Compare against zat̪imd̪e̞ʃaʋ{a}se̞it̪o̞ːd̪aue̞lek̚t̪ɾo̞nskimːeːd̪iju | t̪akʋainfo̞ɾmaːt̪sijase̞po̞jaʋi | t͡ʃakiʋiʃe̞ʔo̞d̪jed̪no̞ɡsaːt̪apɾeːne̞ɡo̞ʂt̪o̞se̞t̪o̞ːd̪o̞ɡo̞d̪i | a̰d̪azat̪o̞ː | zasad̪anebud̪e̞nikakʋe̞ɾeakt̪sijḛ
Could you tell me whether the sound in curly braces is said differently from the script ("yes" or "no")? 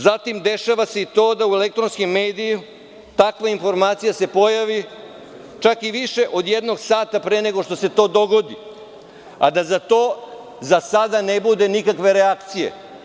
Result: no